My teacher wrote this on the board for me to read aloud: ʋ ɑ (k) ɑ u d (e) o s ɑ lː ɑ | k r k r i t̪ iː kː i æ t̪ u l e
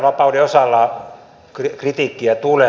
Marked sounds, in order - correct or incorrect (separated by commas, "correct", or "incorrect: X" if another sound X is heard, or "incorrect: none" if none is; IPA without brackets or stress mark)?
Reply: incorrect: p, correct